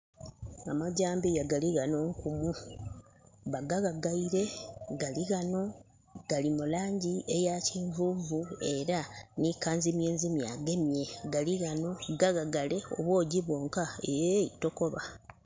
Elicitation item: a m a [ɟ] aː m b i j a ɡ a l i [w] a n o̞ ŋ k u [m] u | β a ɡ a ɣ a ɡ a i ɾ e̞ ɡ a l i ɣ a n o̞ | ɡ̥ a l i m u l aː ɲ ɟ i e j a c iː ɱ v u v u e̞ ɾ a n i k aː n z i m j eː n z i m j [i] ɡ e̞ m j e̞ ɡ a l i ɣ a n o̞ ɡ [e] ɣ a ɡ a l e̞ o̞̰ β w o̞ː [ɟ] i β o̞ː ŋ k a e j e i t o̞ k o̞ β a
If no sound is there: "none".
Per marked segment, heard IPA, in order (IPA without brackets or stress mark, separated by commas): ɟ, ɣ, m, a, a, ɟ